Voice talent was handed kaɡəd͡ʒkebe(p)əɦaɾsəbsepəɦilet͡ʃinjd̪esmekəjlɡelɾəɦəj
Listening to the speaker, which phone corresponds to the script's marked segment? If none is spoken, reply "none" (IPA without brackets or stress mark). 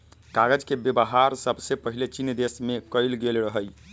b